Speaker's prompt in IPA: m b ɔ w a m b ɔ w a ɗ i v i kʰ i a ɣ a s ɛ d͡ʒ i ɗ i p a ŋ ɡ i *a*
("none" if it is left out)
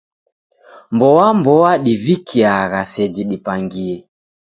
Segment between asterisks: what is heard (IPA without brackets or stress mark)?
ɛ